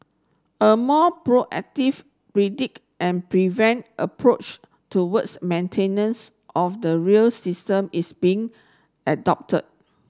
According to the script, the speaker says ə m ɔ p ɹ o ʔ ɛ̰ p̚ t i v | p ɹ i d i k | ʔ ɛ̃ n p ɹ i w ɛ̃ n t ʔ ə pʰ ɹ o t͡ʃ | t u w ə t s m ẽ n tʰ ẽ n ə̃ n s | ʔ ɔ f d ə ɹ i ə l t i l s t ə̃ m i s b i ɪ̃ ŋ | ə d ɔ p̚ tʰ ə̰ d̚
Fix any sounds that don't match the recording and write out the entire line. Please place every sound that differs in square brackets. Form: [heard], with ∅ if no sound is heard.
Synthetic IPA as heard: ə m ɔ p ɹ o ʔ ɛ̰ [k̚] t i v | p ɹ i d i k | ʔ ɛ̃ n p ɹ i [v] ɛ̃ n t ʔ ə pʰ ɹ o t͡ʃ | t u w ə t s m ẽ n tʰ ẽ n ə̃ n s | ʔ ɔ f d ə ɹ i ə l [s] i [∅] s t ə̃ m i s b i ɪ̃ ŋ | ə d ɔ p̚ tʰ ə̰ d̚